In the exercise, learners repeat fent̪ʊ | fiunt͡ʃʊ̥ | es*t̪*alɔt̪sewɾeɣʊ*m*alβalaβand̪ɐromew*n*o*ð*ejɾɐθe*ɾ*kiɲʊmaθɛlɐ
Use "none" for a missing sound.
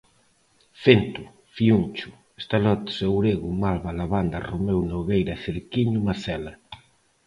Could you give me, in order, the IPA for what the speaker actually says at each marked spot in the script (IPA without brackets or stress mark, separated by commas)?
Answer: t̪, m, n, ɣ, ɾ